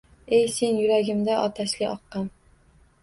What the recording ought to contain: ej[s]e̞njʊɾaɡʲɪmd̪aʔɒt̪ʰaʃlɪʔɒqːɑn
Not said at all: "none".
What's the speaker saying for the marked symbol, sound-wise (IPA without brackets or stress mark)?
s